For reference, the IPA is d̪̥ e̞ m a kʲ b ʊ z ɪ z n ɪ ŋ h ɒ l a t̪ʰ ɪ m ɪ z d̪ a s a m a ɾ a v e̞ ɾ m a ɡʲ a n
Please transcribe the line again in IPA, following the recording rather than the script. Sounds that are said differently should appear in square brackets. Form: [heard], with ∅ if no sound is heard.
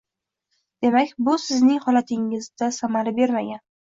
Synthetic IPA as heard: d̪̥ e̞ m a kʲ b ʊ [s] ɪ z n ɪ ŋ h ɒ l a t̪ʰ ɪ [ŋ] ɪ z d̪ a s a m a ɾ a [b] e̞ ɾ m a ɡʲ a n